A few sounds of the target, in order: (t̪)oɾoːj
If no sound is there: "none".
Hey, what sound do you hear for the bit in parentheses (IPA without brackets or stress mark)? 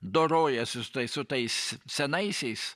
d̪